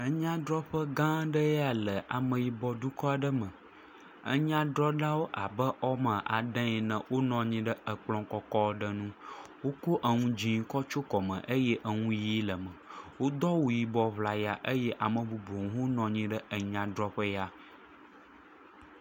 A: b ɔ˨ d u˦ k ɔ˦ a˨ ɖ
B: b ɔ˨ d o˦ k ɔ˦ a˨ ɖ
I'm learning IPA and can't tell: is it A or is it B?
A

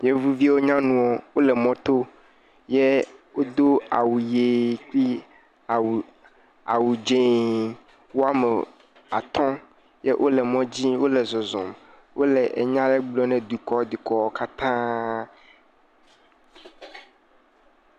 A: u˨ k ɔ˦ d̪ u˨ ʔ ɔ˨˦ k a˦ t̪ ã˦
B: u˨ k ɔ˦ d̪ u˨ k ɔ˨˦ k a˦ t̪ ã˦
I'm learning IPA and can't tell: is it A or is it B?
B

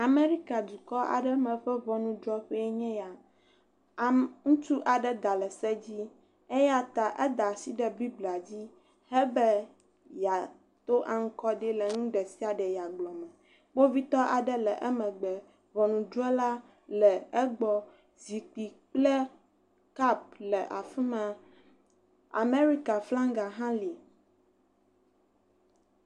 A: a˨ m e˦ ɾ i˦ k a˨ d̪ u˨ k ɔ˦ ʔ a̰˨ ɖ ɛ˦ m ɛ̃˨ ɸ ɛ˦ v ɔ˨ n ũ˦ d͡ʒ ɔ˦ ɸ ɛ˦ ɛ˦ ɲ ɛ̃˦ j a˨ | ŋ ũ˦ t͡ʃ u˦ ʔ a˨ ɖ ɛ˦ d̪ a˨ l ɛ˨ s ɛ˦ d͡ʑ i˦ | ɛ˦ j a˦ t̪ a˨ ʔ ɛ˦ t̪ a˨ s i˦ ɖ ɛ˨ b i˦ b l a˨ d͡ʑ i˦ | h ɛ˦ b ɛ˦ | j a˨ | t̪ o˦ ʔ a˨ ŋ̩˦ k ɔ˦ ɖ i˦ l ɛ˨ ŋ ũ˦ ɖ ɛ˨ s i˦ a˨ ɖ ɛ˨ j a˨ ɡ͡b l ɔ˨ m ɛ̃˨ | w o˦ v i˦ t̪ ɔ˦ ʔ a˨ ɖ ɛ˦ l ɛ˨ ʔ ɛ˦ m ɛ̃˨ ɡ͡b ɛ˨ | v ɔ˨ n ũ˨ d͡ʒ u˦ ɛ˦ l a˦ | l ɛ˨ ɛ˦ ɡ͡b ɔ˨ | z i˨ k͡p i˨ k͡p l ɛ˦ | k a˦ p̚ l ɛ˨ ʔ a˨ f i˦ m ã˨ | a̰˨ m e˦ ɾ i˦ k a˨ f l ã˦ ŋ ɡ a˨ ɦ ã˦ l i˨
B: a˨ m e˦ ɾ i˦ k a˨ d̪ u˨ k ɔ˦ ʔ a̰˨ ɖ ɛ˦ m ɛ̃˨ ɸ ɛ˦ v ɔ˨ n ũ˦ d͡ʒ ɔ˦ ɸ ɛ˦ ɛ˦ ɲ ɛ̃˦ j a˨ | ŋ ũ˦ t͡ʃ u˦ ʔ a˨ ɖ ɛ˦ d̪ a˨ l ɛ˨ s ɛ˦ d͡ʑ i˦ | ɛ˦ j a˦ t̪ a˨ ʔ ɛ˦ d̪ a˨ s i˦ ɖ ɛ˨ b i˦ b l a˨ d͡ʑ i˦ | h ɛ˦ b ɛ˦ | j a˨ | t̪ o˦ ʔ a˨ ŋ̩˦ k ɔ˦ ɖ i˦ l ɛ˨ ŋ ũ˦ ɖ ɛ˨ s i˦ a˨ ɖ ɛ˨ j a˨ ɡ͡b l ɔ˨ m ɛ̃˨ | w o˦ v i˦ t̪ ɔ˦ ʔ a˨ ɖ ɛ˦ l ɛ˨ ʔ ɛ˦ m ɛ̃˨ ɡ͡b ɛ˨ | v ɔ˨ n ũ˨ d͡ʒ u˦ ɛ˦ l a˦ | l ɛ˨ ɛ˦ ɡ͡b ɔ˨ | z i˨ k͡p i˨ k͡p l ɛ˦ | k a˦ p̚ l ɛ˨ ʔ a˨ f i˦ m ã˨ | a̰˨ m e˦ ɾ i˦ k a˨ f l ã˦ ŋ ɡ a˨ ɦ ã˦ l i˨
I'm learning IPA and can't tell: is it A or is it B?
B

